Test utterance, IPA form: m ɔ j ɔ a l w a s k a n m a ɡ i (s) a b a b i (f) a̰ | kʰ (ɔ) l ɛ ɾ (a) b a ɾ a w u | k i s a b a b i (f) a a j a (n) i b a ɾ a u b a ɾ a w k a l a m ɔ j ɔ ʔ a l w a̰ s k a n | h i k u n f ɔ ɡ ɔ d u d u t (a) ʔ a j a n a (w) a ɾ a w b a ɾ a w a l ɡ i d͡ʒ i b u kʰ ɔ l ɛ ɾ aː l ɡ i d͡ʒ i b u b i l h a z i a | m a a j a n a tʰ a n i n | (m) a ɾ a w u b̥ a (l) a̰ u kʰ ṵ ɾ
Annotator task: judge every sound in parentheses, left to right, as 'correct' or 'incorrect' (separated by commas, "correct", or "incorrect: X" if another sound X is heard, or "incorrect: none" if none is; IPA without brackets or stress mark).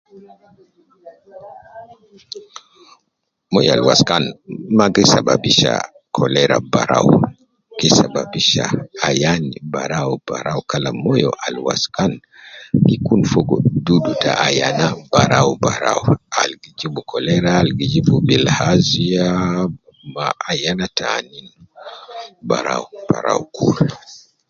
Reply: correct, incorrect: ʃ, correct, correct, incorrect: ʃ, correct, correct, incorrect: b, incorrect: b, incorrect: ɾ